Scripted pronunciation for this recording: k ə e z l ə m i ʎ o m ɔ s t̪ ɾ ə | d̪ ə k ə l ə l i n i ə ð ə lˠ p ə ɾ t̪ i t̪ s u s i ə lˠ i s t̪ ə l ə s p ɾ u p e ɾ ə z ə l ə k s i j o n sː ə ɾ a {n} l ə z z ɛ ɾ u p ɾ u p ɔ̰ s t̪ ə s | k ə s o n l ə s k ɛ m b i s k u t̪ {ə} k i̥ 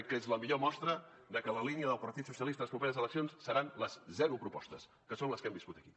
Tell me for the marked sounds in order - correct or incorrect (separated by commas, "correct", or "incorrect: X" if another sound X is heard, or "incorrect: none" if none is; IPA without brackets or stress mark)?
correct, correct